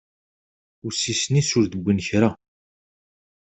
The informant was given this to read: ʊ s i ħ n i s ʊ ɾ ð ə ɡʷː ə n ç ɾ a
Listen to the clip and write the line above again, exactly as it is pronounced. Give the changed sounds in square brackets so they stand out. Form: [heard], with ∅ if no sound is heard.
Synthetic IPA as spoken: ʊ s i [s] n i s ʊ ɾ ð ə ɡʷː ə n ç ɾ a